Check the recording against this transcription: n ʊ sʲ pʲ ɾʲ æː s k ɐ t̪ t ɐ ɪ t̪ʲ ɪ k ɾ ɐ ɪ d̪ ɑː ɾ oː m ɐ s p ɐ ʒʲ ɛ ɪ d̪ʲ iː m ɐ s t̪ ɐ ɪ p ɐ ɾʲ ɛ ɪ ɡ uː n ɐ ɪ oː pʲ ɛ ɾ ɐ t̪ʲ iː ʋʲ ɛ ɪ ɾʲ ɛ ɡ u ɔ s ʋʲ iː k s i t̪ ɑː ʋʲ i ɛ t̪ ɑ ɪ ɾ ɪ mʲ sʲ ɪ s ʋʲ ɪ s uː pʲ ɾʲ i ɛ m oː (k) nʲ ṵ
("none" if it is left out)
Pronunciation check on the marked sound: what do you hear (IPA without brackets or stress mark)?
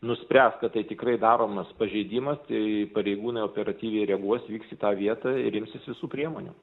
none